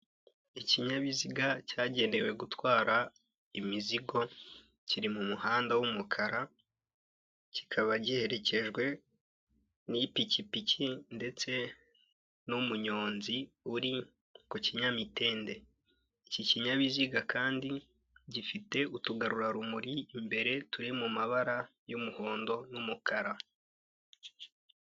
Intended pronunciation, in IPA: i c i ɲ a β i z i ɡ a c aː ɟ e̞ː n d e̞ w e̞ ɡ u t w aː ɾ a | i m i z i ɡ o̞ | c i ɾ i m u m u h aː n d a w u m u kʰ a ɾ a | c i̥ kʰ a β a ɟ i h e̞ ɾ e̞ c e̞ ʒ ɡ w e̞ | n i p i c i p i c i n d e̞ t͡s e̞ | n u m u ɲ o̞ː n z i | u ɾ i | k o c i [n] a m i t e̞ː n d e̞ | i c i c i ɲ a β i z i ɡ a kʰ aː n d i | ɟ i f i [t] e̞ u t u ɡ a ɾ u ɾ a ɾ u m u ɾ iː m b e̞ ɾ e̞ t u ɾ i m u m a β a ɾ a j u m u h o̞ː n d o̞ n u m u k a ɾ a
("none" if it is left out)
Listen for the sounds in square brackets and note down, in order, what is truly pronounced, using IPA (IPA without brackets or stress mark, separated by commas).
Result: ɲ, t